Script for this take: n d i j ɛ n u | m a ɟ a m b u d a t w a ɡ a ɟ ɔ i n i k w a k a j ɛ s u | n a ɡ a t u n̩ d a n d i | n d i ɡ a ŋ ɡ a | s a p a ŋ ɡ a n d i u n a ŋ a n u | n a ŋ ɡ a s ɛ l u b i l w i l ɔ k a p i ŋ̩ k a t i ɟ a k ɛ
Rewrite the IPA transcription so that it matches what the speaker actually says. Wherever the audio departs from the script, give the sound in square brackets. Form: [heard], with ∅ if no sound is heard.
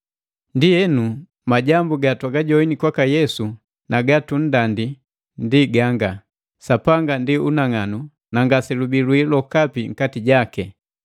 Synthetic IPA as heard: n d i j ɛ n u | m a ɟ a m b u [ɡ] a t w a ɡ a ɟ ɔ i n i k w a k a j ɛ s u | n a ɡ a t u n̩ d a n d i | n d i ɡ a ŋ ɡ a | s a p a ŋ ɡ a n d i u n a ŋ a n u | n a ŋ ɡ a s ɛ l u b i l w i l ɔ k a p i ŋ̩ k a t i ɟ a k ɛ